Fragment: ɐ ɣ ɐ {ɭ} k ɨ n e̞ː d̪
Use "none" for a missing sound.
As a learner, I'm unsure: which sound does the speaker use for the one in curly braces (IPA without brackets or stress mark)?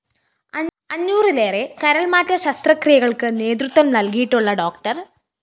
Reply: ɭ